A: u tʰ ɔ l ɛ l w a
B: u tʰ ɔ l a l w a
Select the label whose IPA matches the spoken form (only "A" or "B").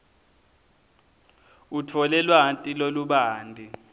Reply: A